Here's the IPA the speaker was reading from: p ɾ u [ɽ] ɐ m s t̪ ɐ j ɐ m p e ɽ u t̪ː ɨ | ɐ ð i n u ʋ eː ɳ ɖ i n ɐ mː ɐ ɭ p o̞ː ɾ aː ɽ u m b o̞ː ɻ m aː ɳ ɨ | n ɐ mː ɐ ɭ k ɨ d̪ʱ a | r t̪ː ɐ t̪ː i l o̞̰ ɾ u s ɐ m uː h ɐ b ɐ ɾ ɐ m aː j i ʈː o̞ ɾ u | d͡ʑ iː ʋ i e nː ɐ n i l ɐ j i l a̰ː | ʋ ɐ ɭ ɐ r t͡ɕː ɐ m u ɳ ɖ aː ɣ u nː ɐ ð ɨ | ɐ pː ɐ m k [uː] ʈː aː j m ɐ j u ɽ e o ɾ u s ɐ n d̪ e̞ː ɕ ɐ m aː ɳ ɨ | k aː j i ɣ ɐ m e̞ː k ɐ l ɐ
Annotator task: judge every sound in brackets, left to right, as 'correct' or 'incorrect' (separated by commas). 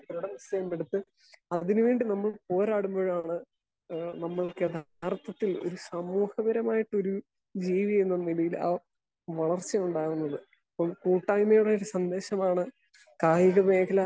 correct, correct